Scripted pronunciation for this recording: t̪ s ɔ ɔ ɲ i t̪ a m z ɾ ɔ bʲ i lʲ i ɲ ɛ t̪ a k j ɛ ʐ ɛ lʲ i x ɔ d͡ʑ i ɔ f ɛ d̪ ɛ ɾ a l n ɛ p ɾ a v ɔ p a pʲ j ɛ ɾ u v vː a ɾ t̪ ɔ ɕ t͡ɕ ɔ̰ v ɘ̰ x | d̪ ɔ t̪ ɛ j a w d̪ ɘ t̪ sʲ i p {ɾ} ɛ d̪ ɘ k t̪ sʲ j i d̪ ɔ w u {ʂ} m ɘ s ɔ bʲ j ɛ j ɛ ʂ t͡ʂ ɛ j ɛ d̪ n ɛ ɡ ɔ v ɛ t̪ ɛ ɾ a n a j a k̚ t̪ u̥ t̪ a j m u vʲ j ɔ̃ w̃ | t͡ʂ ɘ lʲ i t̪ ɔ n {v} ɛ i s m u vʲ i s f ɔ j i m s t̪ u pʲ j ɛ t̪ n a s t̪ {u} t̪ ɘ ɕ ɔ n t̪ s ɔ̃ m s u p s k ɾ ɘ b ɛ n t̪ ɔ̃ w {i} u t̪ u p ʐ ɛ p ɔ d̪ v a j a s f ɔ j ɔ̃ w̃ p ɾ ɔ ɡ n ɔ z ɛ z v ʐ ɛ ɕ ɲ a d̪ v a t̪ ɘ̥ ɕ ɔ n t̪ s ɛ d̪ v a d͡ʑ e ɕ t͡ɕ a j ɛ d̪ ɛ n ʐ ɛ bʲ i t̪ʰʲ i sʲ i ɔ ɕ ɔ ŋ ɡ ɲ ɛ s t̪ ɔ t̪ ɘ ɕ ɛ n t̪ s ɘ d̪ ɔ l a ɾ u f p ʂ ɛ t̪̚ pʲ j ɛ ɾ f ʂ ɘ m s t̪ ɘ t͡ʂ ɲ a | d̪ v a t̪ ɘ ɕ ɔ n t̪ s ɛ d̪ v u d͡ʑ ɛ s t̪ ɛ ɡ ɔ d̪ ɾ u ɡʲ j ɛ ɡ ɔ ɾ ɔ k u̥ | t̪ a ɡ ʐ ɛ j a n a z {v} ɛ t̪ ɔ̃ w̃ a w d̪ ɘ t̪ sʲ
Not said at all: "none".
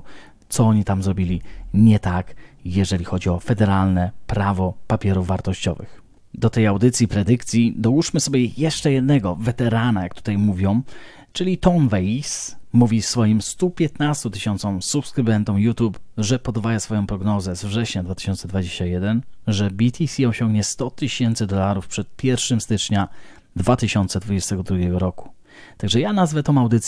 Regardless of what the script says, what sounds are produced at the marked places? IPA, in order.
ɾ, ʂ, v, u, j, v

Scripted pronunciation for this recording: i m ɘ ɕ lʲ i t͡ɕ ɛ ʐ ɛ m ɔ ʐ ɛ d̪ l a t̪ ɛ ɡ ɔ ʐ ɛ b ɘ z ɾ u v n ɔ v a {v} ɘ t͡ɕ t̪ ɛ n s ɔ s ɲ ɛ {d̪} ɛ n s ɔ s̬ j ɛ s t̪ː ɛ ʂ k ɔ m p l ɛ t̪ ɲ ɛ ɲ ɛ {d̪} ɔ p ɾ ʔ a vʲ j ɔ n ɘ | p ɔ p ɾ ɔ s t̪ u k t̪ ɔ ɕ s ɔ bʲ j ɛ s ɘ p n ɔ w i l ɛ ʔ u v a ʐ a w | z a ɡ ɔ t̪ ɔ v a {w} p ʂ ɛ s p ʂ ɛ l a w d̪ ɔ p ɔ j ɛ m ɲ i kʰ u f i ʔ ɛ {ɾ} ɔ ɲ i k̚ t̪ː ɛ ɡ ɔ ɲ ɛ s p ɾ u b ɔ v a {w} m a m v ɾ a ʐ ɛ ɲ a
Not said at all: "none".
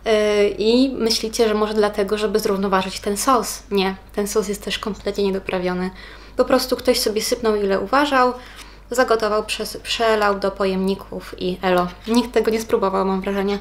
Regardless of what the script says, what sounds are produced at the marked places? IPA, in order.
ʐ, t̪, d̪, w, l, w

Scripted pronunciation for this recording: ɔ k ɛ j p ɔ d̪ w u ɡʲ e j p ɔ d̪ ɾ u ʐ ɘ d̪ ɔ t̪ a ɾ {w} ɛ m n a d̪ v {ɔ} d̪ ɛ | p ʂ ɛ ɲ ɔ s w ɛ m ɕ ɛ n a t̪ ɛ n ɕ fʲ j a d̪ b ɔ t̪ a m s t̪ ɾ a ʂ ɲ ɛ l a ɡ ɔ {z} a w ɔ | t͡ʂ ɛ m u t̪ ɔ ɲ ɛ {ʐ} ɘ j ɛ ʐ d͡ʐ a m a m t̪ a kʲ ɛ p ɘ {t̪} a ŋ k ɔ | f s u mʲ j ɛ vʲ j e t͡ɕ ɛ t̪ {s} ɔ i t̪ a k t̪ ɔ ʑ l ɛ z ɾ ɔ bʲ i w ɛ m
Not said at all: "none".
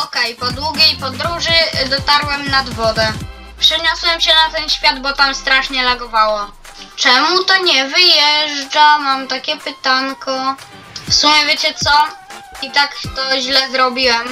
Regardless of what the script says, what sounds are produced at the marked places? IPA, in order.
w, ɔ, v, v, t̪, s

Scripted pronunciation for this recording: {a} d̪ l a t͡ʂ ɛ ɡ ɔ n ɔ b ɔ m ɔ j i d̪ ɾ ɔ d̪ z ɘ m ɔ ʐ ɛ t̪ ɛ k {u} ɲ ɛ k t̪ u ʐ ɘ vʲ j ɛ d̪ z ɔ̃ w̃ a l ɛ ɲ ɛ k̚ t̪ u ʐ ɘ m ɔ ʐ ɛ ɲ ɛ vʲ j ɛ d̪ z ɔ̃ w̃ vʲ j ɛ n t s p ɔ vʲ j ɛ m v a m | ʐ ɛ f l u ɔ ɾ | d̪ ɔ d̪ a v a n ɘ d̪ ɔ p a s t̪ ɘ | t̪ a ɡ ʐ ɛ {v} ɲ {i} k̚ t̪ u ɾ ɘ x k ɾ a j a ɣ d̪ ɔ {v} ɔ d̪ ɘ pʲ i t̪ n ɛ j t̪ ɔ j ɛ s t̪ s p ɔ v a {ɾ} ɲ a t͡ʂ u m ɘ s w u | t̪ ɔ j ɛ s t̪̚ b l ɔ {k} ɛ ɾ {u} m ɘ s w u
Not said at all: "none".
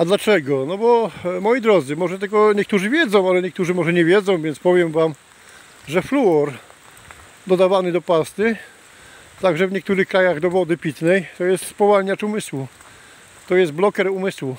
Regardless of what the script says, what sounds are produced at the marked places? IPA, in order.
a, ɔ, v, ɛ, v, l, k, u

